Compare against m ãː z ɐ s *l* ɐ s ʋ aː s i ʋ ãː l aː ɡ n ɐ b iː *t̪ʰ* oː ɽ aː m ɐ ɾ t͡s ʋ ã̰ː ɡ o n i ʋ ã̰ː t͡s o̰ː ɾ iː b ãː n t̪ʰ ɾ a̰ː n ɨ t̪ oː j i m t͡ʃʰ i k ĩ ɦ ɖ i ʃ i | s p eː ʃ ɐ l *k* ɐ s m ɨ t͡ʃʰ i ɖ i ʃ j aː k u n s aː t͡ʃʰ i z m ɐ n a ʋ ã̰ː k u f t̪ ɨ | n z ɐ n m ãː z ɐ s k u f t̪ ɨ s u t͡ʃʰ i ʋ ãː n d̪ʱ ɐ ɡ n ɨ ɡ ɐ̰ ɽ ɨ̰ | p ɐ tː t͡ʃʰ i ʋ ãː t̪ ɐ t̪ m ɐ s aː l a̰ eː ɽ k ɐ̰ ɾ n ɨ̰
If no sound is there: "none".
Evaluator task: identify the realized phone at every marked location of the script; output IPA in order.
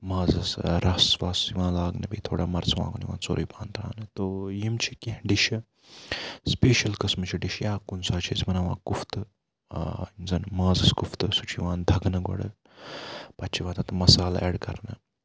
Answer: ɾ, t̪ʰ, k

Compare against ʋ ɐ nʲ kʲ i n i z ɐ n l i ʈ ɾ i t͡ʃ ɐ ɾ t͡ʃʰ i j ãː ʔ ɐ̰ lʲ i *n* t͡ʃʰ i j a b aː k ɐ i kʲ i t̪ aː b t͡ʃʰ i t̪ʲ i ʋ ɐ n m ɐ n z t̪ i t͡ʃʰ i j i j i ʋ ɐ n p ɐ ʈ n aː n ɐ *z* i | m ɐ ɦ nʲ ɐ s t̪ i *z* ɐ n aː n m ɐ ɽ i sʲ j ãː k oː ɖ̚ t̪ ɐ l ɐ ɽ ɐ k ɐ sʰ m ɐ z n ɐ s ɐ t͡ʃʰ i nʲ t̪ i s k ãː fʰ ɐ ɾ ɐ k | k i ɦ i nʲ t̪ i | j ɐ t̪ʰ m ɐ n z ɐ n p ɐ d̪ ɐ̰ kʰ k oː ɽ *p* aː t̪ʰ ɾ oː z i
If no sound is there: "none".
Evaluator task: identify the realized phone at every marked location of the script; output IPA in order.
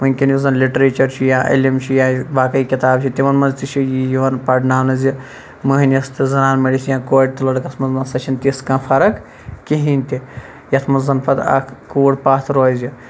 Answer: m, z, z, p

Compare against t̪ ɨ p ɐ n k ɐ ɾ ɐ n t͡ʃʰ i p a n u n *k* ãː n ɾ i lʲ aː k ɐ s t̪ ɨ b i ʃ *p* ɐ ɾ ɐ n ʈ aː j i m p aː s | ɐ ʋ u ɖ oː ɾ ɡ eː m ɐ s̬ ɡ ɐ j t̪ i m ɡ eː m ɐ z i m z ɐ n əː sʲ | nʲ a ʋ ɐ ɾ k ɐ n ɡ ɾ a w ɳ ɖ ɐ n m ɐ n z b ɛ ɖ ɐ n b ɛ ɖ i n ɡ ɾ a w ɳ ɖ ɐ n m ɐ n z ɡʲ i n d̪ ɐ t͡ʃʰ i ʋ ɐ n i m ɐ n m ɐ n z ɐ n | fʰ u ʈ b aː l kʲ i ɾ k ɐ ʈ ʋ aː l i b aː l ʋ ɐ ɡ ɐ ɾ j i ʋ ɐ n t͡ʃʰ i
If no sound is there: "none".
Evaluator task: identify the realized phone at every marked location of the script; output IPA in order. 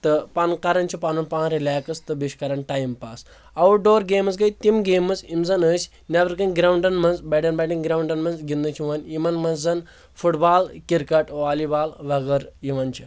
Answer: p, k

